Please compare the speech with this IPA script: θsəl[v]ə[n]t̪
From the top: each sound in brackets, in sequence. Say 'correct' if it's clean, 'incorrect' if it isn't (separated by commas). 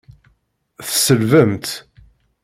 correct, incorrect